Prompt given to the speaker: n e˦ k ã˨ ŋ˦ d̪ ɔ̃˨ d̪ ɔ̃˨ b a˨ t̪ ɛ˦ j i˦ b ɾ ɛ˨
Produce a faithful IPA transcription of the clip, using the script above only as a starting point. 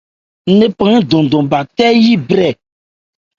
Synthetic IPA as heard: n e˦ p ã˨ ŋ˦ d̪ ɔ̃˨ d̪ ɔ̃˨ b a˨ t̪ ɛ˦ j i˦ b ɾ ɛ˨